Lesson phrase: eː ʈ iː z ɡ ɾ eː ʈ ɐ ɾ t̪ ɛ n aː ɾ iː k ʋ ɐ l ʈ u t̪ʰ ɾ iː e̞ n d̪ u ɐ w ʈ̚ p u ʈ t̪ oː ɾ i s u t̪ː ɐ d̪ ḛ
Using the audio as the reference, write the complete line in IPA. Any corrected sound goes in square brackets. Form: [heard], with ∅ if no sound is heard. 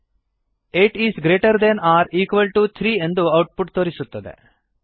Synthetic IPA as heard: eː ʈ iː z ɡ ɾ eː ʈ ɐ ɾ [d̪] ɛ n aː ɾ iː k ʋ ɐ l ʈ u t̪ʰ ɾ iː e̞ n d̪ u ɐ w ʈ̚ p u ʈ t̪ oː ɾ i s u t̪ː ɐ d̪ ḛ